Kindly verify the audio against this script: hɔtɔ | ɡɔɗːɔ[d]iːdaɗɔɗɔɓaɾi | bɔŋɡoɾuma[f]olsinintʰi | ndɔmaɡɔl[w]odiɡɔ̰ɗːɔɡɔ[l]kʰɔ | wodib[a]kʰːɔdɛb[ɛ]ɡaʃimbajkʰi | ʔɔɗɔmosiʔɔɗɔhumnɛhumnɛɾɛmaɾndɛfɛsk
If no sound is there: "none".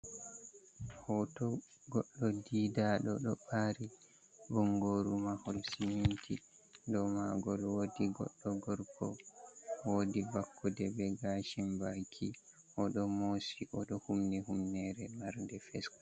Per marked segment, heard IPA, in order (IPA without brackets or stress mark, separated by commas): d, h, w, ɾ, a, ɛ